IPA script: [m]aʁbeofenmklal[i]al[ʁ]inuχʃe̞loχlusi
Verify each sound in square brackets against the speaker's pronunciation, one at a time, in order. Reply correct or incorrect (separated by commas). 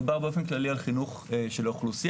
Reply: incorrect, correct, incorrect